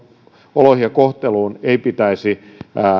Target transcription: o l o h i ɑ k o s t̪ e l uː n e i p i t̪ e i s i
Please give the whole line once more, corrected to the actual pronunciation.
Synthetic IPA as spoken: o l o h i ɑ k o h t̪ e l uː n e i p i t̪ æ i s i